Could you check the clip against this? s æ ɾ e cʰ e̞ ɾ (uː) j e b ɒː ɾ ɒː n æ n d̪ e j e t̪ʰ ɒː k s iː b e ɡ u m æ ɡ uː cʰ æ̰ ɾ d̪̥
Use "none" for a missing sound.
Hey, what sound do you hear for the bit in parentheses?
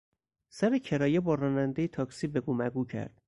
ɒː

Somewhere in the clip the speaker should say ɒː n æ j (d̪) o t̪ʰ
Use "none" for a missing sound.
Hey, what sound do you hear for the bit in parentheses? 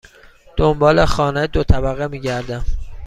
d̪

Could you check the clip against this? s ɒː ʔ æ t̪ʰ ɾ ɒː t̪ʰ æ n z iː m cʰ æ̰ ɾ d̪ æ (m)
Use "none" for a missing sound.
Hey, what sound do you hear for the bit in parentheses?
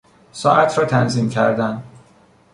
n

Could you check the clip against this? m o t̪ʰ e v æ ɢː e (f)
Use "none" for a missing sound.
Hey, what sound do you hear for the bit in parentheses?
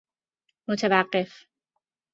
f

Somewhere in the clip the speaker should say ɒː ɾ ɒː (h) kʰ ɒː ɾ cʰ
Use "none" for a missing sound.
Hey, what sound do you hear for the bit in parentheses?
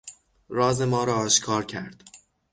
ʃ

